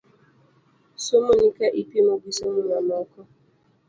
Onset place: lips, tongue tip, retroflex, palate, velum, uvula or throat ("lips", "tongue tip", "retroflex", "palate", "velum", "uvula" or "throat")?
tongue tip